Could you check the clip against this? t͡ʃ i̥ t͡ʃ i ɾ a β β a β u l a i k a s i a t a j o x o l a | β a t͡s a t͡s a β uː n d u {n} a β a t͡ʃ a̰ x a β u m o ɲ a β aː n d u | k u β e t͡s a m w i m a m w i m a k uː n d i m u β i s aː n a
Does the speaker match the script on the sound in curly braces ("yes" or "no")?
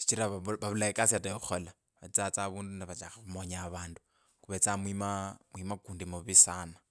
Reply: yes